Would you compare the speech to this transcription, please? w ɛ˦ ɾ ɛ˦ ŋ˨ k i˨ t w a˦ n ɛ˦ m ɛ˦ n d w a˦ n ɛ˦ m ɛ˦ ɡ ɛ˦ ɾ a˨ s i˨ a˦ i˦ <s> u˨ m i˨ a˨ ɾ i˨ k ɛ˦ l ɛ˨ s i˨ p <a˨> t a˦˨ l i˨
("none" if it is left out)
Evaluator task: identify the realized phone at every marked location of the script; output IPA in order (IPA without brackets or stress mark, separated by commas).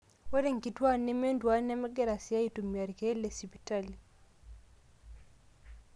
t, i˨